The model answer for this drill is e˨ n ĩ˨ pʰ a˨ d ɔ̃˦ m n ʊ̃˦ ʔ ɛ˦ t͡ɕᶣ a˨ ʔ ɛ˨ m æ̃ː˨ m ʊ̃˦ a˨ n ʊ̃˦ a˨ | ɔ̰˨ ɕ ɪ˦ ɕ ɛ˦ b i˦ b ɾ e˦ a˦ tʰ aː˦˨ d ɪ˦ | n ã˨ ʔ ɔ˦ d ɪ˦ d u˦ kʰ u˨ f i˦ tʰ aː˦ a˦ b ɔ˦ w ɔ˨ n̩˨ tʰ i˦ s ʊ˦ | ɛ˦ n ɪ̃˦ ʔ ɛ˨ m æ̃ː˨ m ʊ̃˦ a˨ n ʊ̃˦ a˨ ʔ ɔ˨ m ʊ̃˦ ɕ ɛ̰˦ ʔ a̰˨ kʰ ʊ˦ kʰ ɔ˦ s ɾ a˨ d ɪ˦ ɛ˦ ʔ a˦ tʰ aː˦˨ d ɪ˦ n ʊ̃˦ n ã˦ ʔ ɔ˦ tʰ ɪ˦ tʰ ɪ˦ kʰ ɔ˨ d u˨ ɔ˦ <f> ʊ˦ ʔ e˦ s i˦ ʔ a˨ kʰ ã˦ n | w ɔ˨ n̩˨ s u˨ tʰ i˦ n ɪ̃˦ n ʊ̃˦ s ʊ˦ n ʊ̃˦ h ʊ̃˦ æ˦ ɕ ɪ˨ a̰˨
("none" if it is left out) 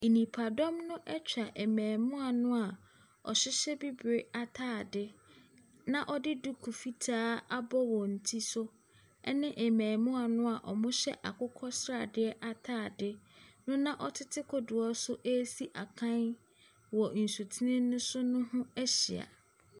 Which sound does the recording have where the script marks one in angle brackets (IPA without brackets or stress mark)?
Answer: s